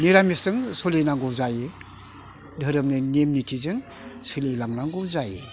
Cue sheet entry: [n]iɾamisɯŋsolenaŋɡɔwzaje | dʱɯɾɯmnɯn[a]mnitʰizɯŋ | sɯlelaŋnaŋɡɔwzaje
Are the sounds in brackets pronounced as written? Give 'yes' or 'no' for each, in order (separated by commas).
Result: yes, no